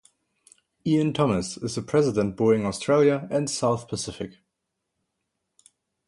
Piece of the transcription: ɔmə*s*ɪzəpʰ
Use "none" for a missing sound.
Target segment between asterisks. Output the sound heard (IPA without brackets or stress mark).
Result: s